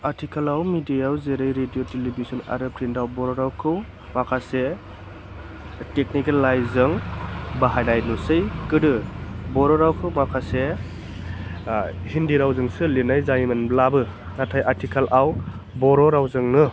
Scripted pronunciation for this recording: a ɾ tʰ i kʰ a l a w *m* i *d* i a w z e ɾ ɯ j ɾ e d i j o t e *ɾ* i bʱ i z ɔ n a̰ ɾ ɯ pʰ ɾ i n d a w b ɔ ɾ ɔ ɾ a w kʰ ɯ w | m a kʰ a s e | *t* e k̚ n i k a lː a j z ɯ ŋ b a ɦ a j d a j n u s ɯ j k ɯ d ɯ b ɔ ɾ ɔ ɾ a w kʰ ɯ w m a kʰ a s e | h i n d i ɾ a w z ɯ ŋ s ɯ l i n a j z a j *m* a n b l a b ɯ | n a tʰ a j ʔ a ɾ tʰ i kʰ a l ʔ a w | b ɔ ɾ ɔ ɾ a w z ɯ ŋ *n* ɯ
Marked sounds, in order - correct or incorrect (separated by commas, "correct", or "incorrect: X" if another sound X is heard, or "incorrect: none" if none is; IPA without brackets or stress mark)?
correct, correct, incorrect: l, correct, correct, correct